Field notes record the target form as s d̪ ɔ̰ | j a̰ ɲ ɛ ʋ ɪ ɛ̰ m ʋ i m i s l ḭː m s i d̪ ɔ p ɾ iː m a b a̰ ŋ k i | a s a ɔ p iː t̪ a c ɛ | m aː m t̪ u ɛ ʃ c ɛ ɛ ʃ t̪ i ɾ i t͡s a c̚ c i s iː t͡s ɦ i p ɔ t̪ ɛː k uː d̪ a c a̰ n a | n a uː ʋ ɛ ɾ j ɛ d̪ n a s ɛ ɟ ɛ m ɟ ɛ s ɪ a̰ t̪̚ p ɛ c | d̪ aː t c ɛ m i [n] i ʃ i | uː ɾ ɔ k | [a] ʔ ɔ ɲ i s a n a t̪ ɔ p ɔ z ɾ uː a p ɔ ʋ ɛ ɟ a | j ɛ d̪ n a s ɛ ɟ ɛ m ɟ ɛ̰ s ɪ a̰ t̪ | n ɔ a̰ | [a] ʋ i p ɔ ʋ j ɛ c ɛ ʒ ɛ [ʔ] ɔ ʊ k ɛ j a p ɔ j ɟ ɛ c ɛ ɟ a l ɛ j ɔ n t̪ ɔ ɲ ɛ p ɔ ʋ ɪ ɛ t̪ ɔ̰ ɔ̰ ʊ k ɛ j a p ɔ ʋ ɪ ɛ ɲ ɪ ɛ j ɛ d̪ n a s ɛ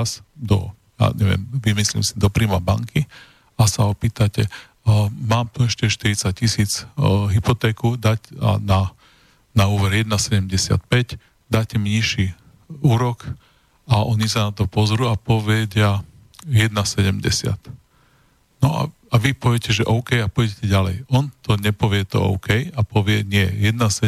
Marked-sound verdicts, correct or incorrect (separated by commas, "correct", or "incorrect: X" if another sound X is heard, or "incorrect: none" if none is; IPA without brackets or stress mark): incorrect: ɲ, correct, correct, correct